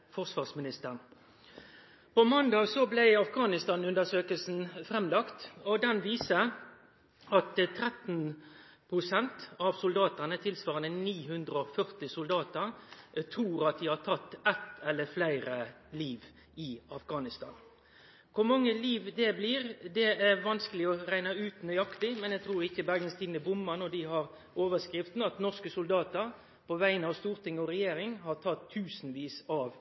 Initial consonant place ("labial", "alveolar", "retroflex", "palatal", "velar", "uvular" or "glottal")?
labial